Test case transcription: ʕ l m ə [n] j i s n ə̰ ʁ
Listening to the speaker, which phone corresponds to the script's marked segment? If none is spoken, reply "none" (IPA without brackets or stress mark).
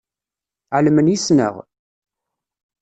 n